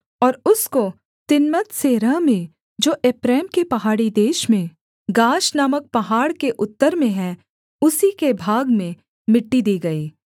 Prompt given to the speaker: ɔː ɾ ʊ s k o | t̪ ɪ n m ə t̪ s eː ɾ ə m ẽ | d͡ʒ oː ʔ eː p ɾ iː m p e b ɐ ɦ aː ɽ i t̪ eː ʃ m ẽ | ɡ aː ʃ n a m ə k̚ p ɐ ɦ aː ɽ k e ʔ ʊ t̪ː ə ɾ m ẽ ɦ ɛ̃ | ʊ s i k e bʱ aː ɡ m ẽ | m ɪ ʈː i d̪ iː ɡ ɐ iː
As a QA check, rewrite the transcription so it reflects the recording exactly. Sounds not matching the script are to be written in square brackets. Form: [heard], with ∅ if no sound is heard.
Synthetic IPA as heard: ɔː ɾ ʊ s k o | t̪ ɪ n m ə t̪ s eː ɾ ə m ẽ | d͡ʒ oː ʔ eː p ɾ [ɛː] m [k] e [p] ɐ ɦ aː ɽ i [d̪] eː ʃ m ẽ | ɡ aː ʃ n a m ə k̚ p ɐ ɦ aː ɽ k e ʔ ʊ t̪ː ə ɾ m ẽ ɦ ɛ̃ | ʊ s i k e bʱ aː ɡ m ẽ | m ɪ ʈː i d̪ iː ɡ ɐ iː